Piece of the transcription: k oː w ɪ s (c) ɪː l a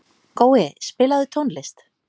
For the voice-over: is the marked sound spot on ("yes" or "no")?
no